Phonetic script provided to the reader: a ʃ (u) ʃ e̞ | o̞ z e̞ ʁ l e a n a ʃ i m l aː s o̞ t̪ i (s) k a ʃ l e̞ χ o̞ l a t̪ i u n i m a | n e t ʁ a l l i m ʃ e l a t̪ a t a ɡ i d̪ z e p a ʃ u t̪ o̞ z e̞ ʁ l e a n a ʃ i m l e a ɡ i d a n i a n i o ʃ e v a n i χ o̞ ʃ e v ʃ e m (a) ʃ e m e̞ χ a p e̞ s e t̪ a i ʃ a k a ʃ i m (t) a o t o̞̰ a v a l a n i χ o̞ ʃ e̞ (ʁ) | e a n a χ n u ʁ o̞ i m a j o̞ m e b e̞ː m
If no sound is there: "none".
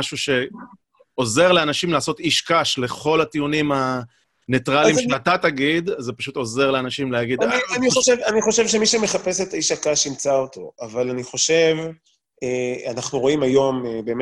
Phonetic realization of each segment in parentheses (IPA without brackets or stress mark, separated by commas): u, ʃ, i, t͡s, v